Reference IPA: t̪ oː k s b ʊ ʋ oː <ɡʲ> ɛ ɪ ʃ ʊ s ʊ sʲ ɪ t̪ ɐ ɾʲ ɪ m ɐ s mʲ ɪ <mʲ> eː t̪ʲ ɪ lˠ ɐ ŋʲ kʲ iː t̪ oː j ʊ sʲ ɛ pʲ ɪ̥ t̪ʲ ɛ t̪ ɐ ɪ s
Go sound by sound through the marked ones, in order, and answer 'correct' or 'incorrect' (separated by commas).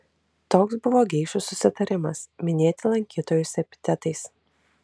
correct, incorrect